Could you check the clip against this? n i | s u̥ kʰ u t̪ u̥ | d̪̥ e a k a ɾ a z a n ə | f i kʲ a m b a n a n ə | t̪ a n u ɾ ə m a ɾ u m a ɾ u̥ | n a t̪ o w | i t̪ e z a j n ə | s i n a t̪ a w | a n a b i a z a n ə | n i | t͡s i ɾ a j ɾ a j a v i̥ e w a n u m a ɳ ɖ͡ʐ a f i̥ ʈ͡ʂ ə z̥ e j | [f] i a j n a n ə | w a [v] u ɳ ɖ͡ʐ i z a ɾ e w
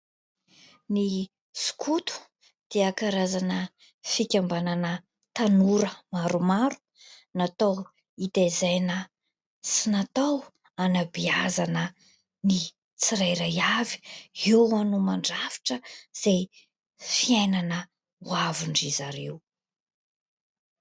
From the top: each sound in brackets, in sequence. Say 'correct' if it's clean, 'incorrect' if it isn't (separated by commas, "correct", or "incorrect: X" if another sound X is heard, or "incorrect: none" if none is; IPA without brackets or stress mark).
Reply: correct, correct